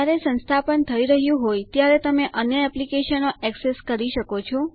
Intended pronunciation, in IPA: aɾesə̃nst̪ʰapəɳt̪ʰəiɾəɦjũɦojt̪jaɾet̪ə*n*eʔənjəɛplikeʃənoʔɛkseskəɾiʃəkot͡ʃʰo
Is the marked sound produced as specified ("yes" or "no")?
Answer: no